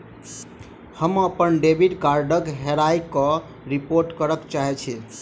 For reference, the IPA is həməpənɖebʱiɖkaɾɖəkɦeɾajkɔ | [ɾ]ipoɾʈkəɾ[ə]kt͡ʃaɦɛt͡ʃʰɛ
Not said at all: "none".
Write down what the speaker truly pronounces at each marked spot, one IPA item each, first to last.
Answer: ɾ, ə

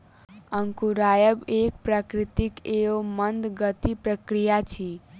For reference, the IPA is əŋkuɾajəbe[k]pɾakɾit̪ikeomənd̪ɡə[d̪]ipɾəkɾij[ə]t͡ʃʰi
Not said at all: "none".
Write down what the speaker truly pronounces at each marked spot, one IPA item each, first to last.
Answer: k, t̪, a

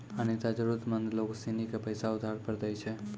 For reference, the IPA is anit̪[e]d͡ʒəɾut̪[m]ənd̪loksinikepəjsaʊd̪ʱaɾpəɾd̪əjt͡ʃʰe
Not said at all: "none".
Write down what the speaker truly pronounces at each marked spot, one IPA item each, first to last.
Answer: a, m

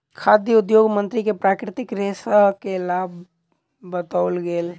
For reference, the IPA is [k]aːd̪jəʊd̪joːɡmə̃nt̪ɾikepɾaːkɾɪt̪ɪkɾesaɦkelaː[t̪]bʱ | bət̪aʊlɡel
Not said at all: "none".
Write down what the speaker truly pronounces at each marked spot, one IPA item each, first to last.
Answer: kʰ, none

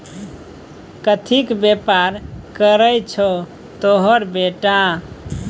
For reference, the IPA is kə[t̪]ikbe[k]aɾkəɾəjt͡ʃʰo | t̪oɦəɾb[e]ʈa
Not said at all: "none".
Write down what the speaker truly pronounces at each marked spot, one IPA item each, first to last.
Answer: t̪ʰ, p, e

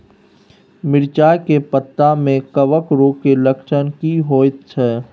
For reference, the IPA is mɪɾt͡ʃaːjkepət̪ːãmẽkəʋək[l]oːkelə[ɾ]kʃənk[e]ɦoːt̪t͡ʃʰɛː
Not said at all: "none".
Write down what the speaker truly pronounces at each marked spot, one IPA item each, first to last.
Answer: ɾ, none, i

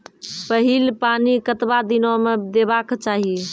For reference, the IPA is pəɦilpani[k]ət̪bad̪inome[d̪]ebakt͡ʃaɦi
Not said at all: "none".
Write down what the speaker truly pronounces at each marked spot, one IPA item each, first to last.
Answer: k, d̪

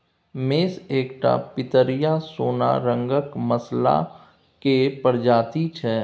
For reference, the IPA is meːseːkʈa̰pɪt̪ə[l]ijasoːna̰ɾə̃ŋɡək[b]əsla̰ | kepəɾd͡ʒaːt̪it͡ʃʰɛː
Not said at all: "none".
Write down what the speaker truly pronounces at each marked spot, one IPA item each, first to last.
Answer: ɾ, m

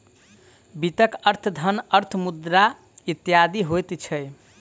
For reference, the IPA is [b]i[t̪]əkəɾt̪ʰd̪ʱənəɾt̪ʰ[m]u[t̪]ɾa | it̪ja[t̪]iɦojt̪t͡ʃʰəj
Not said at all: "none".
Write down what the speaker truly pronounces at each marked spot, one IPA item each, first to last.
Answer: b, t̪, m, d̪, d̪

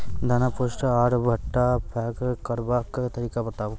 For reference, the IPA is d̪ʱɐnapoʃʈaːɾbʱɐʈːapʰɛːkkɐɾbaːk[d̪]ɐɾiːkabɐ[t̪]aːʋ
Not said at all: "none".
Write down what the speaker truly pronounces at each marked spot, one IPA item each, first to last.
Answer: t̪, t̪

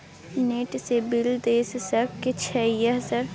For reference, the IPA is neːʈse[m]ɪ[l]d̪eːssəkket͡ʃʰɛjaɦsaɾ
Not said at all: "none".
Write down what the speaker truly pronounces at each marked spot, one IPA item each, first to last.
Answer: b, l

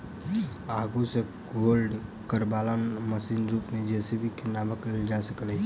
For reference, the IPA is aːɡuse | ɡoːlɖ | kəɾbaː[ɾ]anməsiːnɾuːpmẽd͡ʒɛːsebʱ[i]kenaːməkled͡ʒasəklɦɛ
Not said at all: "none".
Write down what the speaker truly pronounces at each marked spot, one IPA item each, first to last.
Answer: l, i

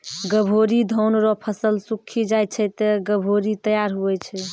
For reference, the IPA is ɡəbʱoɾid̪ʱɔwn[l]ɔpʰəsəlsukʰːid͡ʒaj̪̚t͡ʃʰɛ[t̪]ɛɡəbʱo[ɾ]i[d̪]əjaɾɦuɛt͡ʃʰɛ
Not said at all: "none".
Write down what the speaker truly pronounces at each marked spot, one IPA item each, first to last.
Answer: ɾ, t̪, ɾ, t̪

